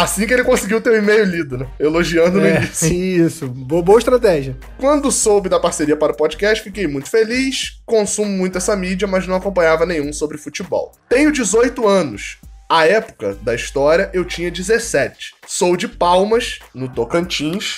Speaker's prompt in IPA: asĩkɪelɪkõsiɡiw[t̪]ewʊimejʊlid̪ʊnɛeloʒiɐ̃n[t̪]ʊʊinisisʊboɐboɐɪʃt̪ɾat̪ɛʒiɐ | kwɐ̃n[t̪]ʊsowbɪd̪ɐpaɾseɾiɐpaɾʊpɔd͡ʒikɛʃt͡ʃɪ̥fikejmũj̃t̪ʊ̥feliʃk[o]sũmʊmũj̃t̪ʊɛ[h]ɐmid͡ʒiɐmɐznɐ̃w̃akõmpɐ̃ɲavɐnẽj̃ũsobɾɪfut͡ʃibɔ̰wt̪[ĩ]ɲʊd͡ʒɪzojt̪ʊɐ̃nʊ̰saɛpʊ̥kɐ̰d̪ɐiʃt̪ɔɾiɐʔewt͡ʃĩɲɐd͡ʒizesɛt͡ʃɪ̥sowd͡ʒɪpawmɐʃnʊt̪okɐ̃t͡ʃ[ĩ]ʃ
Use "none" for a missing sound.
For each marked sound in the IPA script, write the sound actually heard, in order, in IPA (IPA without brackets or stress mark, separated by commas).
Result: t̪, d̪, d̪, õ, s, ẽ, ĩ